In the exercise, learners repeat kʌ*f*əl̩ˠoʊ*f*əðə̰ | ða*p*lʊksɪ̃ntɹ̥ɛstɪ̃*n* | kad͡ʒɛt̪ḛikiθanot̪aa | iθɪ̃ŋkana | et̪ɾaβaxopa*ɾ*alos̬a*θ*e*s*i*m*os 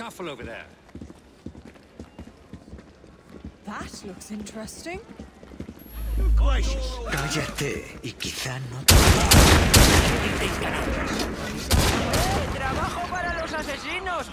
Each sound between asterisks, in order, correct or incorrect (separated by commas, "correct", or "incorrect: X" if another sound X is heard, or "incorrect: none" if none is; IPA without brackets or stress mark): correct, incorrect: v, incorrect: t, incorrect: ŋ, correct, incorrect: s, correct, incorrect: n